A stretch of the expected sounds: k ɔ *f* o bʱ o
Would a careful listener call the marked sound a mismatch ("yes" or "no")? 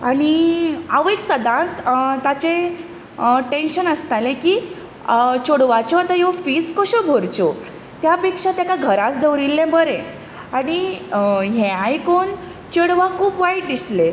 yes